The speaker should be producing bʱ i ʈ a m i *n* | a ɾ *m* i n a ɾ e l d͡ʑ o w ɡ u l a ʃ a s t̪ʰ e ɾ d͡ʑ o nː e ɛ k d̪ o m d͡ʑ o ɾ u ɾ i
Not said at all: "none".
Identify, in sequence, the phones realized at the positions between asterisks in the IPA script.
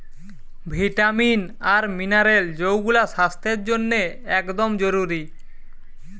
n, m

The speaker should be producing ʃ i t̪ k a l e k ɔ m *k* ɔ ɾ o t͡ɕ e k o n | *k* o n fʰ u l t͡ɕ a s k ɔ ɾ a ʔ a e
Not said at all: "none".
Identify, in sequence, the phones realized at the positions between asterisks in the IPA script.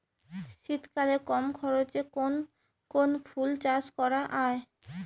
kʰ, k

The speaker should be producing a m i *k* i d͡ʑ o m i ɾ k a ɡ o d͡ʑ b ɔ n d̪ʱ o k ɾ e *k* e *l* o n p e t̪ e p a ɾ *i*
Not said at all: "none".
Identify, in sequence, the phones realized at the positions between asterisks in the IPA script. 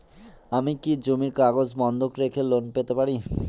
k, kʰ, l, i

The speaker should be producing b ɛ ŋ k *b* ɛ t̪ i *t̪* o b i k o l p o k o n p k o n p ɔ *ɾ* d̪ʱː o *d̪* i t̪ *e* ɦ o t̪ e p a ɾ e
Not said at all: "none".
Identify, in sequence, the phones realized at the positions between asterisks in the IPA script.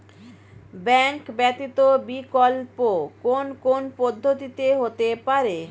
b, t̪, none, t̪, e

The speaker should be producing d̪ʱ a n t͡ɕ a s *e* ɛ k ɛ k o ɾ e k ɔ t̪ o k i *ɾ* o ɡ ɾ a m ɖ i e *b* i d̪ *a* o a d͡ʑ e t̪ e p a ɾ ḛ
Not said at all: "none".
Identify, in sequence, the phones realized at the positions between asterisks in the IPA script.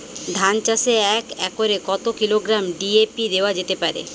e, l, p, e

